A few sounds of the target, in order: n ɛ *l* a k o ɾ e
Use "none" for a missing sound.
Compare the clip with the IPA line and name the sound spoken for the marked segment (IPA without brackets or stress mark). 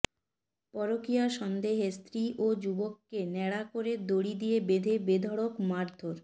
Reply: ɽ